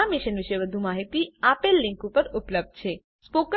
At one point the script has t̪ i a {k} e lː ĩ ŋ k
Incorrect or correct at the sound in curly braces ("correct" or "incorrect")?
incorrect